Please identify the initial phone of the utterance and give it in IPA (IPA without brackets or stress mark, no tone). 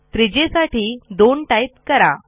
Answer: t̪